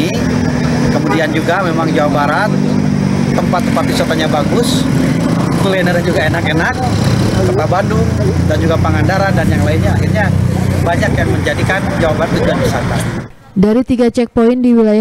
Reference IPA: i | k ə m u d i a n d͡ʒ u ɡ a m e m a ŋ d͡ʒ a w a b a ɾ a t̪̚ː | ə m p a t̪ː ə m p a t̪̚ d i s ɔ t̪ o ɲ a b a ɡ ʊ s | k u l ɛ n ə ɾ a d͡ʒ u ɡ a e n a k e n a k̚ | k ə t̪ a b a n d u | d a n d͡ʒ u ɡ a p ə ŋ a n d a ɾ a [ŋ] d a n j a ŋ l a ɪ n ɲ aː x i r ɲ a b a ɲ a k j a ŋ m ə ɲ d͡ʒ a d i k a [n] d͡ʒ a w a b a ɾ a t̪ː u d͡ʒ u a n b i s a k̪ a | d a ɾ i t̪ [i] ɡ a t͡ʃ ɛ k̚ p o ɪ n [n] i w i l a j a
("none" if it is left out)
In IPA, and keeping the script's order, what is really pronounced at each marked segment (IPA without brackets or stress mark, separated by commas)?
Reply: n, n, i, d